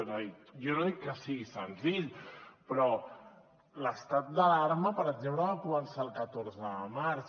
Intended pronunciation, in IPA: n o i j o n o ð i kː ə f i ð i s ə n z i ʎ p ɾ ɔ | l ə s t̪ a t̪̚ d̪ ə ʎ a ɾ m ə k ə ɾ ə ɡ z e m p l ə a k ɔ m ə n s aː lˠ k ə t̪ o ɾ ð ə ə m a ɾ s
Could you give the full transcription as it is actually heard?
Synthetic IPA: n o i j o n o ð i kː ə s i ɣ i s ə n z i ʎ p ɾ ɔ | l ə s t̪ a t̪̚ d̪ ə l a ɾ m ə p ə ɾ ə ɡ z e m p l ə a k u m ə n s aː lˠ k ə t̪ o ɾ z ə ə m a ɾ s